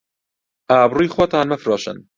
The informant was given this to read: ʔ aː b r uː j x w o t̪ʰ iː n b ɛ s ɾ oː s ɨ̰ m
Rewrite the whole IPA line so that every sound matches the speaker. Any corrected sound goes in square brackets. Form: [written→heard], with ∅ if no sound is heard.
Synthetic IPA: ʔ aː b r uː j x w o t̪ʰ [iː→aː] n [b→m] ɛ [s→f] ɾ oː [s→ʃ] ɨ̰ [m→n]